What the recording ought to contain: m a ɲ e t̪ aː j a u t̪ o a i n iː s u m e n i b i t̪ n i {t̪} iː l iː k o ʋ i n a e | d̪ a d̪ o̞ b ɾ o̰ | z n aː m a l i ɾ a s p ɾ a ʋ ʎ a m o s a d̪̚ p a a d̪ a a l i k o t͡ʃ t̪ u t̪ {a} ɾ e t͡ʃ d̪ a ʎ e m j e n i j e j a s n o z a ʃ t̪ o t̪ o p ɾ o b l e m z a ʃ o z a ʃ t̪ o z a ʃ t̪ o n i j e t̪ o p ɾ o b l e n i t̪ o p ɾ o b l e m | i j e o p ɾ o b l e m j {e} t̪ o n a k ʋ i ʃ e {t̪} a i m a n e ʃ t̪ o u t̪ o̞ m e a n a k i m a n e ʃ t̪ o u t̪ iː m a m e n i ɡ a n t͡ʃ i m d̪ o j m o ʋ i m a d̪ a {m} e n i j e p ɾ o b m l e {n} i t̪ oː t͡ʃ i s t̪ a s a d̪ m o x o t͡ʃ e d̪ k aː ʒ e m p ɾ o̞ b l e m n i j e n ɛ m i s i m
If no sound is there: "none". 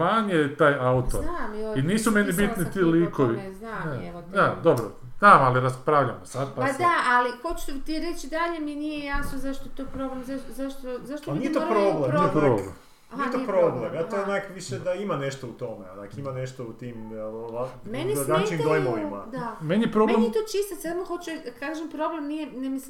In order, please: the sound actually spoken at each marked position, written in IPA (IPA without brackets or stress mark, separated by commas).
t̪, i, a, d̪, m, m